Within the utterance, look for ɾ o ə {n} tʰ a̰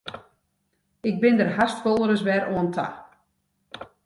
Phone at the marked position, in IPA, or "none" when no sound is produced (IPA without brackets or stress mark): n